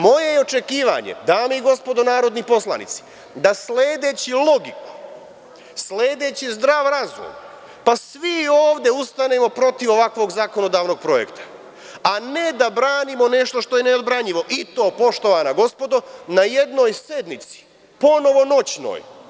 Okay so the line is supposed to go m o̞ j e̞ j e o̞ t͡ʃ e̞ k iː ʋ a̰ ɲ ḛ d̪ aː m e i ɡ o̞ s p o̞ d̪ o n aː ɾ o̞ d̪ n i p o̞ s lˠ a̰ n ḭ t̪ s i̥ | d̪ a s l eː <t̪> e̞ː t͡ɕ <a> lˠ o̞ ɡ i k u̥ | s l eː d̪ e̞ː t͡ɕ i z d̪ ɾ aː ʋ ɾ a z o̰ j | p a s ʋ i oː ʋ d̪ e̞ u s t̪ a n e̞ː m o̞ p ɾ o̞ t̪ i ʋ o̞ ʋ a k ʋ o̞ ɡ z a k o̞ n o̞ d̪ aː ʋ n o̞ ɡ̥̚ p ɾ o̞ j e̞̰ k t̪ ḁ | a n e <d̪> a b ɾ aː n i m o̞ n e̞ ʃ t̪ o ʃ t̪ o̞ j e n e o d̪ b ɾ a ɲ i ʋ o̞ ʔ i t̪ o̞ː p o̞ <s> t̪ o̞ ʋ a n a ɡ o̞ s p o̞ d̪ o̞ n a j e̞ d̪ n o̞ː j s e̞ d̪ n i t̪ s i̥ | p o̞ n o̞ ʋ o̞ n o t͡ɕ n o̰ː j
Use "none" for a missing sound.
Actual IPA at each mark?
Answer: d̪, i, d̪, ʃ

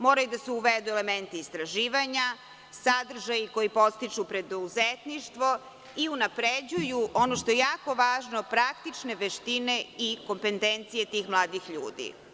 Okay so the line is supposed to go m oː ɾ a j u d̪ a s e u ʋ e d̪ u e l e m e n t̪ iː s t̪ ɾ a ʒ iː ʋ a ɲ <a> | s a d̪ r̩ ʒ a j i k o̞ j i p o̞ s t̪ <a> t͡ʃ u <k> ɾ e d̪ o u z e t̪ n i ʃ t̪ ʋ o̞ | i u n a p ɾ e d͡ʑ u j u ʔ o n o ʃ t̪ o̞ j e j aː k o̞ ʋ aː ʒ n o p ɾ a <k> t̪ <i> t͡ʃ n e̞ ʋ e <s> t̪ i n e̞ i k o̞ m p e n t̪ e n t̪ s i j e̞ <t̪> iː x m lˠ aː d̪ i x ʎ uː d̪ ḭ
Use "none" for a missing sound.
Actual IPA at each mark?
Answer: a, i, p, k, i, ʃ, t̪

